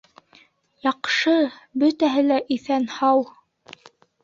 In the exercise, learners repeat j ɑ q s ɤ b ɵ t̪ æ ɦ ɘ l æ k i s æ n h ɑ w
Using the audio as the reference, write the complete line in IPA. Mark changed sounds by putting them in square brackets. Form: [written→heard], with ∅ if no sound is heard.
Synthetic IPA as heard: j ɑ q [s→ʃ] ɤ b ɵ t̪ æ ɦ ɘ l æ [k→ʔ] i [s→θ] æ n h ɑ w